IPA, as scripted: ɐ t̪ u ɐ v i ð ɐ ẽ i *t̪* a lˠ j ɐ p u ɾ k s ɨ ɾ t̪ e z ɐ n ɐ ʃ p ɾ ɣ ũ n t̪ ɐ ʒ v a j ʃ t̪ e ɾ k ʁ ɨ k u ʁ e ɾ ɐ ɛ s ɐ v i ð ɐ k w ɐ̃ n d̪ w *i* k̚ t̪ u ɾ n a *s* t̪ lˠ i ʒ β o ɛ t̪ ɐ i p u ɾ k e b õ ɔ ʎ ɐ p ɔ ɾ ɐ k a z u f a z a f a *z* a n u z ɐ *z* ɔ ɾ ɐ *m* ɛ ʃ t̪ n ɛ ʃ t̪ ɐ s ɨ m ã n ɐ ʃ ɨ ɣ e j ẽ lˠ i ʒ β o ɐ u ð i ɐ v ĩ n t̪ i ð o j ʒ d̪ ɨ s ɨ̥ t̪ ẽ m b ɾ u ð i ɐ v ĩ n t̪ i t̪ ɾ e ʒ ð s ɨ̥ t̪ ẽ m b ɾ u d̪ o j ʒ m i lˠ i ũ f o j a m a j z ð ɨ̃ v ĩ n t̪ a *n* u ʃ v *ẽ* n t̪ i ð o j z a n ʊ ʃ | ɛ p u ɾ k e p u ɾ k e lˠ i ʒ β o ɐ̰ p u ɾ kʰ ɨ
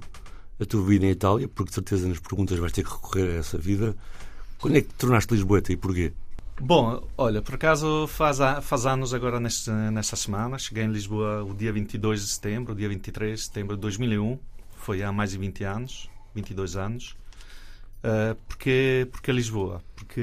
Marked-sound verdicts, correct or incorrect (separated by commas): correct, incorrect, incorrect, correct, incorrect, incorrect, correct, incorrect